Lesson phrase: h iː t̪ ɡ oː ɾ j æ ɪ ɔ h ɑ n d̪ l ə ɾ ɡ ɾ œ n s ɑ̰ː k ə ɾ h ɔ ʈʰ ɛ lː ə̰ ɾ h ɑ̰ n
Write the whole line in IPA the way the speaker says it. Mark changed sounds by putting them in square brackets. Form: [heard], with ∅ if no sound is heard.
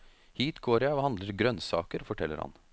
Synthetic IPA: h iː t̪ ɡ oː ɾ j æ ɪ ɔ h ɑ n d̪ l ə ɾ ɡ ɾ œ n s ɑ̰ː k ə ɾ [f] ɔ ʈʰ ɛ lː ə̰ ɾ h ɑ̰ n